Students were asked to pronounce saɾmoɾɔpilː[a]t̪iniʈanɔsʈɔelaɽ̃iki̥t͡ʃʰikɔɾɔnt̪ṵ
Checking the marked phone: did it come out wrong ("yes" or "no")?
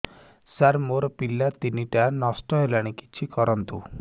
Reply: no